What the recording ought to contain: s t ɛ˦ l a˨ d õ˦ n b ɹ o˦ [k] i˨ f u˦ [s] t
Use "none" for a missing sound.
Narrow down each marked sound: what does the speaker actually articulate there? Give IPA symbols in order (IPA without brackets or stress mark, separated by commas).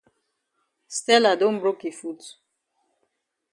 k, none